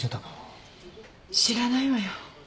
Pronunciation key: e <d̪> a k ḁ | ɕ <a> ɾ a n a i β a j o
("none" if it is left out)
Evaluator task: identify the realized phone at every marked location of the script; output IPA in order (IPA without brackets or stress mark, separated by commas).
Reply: t̪, i